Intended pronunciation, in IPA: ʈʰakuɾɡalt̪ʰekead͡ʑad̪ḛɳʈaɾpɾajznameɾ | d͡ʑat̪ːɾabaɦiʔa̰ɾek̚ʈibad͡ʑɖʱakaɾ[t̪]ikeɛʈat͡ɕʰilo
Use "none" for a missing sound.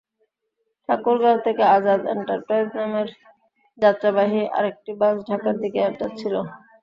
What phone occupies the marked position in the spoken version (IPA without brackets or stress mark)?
d̪